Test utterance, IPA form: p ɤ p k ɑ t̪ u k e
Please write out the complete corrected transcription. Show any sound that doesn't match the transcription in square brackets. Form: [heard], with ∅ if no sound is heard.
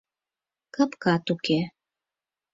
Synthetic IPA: [k] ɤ p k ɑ t̪ u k e